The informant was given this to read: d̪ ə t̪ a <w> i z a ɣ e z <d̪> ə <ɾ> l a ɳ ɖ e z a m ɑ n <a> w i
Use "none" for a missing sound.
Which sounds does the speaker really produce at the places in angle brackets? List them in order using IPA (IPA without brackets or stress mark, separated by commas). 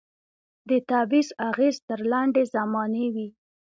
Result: b, t̪, ɾ, e